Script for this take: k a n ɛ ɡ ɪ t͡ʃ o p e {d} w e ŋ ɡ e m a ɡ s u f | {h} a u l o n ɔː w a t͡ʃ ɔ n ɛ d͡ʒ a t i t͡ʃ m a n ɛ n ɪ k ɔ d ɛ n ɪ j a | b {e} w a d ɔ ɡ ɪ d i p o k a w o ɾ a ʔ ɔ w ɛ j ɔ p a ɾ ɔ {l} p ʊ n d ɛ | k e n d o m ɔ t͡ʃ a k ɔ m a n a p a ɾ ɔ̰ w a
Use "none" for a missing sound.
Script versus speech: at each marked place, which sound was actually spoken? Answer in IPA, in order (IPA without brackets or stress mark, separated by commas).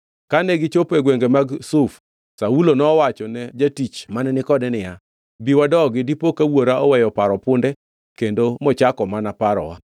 ɡ, s, i, none